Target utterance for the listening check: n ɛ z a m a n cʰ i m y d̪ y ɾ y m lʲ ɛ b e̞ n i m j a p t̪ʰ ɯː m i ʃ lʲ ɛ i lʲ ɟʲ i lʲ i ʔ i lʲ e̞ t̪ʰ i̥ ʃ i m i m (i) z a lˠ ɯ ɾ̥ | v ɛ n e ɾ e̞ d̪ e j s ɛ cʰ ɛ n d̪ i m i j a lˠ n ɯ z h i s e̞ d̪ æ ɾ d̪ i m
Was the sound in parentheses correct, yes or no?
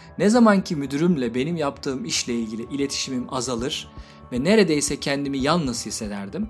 no